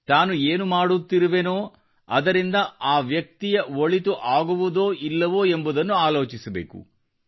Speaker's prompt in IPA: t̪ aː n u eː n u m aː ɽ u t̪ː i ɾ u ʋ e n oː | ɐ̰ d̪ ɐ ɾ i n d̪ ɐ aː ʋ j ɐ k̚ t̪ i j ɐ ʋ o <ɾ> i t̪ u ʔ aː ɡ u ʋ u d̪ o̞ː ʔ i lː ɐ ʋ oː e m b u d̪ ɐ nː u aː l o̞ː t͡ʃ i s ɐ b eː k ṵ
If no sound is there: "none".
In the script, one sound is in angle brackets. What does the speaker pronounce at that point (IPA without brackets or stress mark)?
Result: ɭ